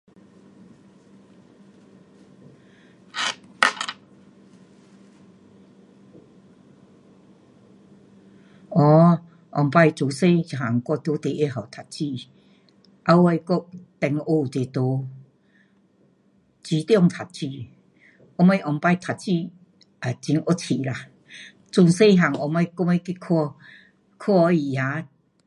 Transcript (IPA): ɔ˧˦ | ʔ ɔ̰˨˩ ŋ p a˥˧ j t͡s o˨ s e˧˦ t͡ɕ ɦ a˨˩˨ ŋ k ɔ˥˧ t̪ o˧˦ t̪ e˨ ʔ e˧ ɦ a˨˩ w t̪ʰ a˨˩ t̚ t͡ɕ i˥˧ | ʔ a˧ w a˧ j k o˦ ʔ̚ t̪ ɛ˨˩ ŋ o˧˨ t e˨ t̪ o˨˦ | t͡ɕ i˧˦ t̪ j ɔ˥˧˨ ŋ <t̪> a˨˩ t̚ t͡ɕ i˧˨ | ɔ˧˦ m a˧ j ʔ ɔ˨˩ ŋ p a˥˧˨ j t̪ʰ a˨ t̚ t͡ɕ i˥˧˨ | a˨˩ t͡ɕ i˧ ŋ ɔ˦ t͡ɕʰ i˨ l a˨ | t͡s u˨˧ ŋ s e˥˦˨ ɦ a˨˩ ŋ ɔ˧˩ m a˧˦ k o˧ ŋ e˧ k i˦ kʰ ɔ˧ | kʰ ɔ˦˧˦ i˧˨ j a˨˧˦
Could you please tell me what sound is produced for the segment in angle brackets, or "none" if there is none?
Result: t̪ʰ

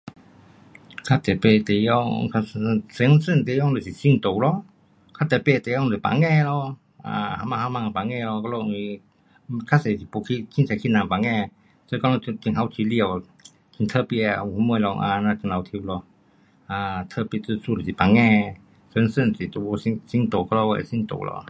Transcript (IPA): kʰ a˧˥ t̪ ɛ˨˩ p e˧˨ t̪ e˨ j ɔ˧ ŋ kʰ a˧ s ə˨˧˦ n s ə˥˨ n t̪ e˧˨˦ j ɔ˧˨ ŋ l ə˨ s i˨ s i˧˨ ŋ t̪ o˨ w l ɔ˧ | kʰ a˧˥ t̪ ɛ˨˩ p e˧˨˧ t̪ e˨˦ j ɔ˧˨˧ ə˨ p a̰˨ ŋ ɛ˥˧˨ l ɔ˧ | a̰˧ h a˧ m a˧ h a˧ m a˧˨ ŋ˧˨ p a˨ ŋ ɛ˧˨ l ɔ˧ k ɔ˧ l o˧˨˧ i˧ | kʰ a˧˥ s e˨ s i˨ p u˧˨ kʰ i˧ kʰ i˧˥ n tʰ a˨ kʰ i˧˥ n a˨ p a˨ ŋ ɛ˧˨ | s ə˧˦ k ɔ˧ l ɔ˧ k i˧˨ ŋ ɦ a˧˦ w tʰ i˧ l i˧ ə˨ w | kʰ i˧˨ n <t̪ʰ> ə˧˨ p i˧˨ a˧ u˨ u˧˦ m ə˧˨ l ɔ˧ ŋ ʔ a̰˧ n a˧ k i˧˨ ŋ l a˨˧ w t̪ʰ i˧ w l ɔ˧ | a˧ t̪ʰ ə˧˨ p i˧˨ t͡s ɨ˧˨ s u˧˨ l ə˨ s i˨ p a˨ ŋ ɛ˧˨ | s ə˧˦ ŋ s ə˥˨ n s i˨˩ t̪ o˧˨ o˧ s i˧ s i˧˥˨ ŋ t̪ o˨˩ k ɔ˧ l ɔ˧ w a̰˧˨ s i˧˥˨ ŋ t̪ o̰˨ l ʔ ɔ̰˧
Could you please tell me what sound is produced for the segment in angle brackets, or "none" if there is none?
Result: t̪ʰ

